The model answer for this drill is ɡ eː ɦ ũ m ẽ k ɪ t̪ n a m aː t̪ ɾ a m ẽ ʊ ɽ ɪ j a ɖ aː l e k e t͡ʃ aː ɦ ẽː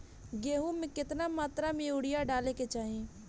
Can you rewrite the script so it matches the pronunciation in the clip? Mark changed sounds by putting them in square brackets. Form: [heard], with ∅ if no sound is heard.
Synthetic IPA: ɡ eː ɦ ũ m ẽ k ɪ t̪ n a m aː t̪ ɾ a m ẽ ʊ ɽ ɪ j a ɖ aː l e k e t͡ʃ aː ɦ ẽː